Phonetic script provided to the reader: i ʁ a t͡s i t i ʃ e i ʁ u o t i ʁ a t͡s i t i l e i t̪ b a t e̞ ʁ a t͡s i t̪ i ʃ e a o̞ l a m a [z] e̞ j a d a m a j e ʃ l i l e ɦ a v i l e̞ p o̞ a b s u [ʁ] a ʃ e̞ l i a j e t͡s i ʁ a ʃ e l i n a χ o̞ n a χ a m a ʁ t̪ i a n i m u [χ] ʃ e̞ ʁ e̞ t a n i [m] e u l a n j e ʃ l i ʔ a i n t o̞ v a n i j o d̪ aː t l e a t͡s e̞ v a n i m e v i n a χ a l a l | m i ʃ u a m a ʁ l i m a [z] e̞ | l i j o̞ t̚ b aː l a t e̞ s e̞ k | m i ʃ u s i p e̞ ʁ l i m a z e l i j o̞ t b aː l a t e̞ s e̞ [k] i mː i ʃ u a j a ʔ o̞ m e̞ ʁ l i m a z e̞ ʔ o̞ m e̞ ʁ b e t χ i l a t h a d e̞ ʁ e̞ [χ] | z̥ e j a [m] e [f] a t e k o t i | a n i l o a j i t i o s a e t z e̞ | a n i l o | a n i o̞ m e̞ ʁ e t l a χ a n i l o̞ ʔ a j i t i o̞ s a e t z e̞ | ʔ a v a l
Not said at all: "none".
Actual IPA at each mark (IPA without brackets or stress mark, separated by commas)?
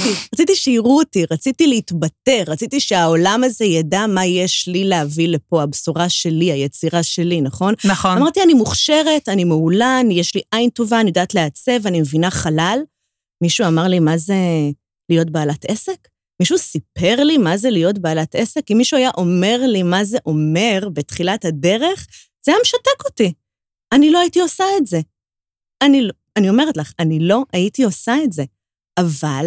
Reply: z, ʁ, χ, m, z, k, χ, m, ʃ